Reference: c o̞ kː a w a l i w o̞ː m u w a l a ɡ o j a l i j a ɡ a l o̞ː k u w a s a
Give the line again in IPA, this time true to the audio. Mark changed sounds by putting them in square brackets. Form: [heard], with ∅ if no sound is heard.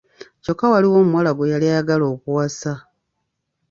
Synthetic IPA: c o̞ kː a w a l i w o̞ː m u w a l a ɡ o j a l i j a ɡ a l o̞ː k u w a s a